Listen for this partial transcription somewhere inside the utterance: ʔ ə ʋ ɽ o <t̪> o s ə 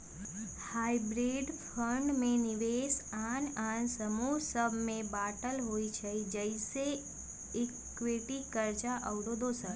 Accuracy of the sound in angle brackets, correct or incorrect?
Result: incorrect